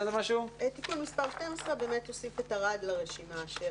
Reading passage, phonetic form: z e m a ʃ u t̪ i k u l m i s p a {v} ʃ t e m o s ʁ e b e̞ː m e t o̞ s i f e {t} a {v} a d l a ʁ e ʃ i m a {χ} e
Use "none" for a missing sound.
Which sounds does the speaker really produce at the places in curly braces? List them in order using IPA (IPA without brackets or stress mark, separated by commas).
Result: ʁ, t, ʁ, ʃ